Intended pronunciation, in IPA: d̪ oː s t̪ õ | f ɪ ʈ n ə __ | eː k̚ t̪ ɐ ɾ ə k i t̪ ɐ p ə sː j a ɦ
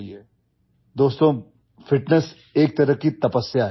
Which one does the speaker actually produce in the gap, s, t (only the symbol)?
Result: s